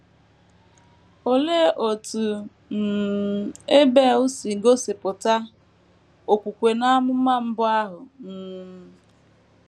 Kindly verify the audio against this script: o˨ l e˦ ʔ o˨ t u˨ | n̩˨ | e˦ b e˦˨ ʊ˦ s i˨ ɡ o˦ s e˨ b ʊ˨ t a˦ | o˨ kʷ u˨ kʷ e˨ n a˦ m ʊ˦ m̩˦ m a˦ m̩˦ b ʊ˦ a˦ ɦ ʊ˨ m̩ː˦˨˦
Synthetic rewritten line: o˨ l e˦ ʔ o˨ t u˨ | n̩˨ | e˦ b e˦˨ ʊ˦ s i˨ ɡ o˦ s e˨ p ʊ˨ t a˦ | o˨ kʷ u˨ kʷ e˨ n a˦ m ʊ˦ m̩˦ m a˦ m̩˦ b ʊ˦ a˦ ɦ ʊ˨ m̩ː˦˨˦